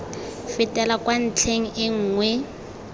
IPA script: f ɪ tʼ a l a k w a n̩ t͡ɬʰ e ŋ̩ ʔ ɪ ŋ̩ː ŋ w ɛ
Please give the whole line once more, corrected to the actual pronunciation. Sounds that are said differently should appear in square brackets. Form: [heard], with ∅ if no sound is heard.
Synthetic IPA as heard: f ɪ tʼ [ɛ] l a k w a n̩ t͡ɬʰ e ŋ̩ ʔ ɪ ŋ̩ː ŋ w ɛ